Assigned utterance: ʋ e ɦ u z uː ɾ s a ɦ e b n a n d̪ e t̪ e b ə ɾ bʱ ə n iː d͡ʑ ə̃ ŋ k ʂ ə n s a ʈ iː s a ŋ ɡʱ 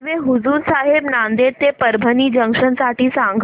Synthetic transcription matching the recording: ʋ e ɦ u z uː ɾ s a ɦ e b n a n d̪ e t̪ e p ə ɾ bʱ ə n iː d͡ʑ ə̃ ŋ k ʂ ə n s a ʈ iː s a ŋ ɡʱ